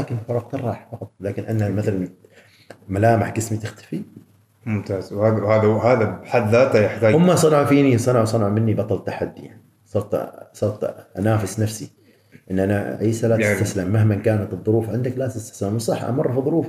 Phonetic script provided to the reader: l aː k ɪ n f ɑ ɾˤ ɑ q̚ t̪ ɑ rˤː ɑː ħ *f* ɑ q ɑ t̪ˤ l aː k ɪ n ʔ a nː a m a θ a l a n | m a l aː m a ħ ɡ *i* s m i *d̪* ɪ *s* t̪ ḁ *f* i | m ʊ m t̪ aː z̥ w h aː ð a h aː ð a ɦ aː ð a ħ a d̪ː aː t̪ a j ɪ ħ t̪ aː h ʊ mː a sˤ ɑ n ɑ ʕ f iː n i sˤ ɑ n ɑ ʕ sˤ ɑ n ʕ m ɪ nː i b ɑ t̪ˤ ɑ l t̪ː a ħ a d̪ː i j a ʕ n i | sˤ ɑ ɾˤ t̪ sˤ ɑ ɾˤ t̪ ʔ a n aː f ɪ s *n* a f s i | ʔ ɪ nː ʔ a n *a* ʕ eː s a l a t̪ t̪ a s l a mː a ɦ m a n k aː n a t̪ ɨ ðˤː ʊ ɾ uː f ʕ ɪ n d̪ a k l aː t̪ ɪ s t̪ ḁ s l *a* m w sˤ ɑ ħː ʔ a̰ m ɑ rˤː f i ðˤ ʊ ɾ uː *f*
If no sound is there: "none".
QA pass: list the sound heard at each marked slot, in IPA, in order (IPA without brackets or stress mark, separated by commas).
f, ɪ, t̪, x, f, n, a, a, f